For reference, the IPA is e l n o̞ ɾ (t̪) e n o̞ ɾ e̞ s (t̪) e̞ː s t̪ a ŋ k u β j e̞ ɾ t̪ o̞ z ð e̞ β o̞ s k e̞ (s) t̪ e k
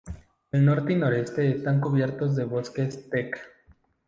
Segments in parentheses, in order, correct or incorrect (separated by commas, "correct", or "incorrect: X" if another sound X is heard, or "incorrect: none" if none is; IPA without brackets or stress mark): correct, correct, correct